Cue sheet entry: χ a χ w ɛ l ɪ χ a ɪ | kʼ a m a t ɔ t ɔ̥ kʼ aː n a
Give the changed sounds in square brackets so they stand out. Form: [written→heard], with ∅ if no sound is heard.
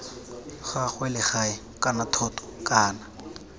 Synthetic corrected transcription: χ a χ w ɛ l ɪ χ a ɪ | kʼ a [m→n] a [t→tʰ] ɔ t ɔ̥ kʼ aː n a

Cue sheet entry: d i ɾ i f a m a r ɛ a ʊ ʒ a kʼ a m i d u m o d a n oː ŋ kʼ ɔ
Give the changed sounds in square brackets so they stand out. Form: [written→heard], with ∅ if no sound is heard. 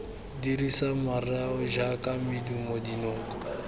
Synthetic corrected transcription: d i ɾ i [f→s] a m a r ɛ a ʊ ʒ a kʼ a m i d u m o d [a→i] n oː ŋ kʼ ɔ

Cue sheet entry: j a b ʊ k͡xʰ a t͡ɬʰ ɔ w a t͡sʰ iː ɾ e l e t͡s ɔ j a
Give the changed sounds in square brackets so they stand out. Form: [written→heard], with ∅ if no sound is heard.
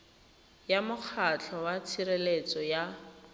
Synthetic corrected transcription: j a [b→m] ʊ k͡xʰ a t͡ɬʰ ɔ w a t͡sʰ [iː→i] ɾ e l e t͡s ɔ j a

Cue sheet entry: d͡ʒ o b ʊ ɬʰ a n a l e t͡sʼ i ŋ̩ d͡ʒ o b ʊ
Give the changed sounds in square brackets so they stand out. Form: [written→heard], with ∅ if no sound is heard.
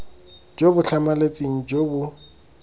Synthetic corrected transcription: d͡ʒ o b ʊ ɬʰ a [n→m] a l e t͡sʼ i ŋ̩ d͡ʒ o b ʊ

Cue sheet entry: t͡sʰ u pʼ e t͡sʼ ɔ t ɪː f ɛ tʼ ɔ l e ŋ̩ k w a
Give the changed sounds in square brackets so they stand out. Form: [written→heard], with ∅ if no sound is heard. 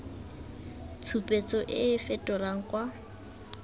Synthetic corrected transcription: t͡sʰ u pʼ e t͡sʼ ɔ [t→ʔ] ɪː f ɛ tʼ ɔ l [e→a] ŋ̩ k w a

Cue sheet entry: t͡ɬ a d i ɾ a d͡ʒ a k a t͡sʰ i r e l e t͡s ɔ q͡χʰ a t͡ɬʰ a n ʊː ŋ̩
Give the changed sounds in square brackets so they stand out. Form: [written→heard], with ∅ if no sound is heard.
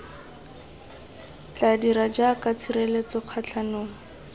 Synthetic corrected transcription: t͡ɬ a d i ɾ a d͡ʒ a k a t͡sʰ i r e l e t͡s ɔ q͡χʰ a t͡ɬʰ a n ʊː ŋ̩

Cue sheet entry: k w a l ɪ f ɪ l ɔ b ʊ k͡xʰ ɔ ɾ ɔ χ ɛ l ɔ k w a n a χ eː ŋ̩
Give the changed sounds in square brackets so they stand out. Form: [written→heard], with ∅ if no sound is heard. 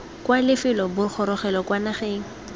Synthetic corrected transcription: k w a l ɪ f ɪ l ɔ b ʊ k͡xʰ ɔ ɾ ɔ χ ɛ l ɔ k w a n a χ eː ŋ̩

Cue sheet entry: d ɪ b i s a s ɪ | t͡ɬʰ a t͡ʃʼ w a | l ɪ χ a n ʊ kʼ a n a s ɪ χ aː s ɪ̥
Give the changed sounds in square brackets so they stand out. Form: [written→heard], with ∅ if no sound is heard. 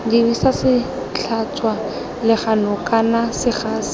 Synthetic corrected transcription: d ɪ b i s a s ɪ | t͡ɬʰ a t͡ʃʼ w a | l ɪ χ a n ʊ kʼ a n a s ɪ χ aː s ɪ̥

